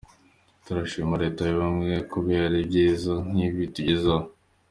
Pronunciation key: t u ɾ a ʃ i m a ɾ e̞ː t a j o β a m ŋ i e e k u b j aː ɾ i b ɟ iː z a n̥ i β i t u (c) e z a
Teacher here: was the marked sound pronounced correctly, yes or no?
no